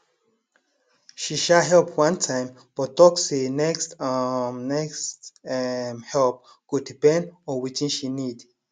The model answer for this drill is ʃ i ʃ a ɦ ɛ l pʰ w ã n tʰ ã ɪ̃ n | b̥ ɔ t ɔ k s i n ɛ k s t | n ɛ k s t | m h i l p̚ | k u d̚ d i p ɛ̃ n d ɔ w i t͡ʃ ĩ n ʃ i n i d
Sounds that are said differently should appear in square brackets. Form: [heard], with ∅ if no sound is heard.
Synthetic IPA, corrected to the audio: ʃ i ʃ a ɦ ɛ l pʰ w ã n tʰ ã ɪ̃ [m] | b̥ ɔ t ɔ k s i n ɛ k s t | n ɛ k s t | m h [ɛ] l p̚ | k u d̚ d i p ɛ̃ n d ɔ w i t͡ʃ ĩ n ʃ i n i d